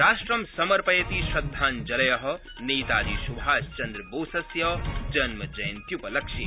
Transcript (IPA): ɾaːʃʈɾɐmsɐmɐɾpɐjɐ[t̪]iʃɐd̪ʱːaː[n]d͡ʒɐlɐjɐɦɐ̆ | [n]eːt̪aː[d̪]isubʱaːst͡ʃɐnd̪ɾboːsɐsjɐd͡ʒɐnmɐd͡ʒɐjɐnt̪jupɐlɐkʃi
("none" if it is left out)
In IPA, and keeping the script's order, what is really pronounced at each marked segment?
t̪, n, n, d̪

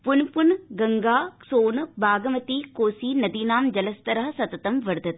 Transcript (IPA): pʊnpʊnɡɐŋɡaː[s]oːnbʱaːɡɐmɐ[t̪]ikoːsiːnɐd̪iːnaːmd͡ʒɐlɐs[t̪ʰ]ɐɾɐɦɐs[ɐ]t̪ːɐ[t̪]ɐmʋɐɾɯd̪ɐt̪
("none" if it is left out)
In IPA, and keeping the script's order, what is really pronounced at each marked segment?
s, t̪, t̪, ɐ, t̪

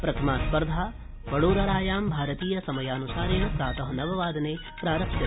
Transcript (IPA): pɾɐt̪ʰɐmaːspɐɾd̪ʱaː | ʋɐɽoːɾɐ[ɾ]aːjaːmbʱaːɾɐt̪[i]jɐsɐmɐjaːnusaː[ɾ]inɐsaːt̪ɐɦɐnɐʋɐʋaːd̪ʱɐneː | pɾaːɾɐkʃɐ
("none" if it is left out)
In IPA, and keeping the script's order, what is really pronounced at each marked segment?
ɾ, iː, ɾ

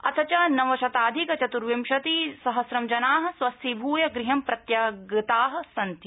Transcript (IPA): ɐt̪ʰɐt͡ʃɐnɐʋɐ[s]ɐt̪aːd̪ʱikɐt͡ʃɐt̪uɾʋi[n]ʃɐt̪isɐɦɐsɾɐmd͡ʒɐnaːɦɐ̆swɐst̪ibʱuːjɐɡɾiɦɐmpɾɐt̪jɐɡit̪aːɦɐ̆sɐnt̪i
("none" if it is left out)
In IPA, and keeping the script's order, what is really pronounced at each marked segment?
ʃ, m

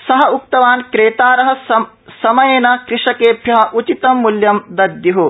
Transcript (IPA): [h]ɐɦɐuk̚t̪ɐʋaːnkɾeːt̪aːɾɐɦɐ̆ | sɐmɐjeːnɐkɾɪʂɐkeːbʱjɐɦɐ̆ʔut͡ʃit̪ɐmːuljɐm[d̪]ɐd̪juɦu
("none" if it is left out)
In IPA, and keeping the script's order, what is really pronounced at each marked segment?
s, d̪

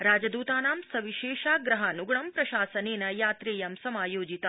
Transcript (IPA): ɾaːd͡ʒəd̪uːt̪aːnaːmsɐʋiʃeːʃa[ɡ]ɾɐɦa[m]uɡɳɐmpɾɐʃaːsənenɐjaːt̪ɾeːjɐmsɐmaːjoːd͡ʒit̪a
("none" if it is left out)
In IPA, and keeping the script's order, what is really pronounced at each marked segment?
ɡ, n

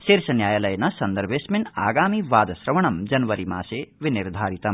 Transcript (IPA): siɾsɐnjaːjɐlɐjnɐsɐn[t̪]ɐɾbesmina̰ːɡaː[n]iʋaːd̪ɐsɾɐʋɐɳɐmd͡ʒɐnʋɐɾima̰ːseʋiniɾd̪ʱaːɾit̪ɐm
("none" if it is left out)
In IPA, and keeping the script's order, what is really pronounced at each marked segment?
d̪, m

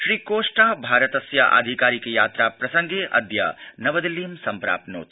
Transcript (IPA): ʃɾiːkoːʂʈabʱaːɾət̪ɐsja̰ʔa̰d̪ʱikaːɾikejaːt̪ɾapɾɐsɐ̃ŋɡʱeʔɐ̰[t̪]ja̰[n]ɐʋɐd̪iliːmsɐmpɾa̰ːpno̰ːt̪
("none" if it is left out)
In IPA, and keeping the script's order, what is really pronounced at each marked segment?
d̪, n

